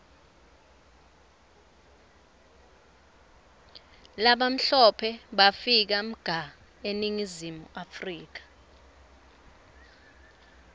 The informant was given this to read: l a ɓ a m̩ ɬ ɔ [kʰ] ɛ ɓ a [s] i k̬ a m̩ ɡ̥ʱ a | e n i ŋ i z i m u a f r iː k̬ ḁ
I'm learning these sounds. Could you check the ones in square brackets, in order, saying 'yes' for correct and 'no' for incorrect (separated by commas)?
no, no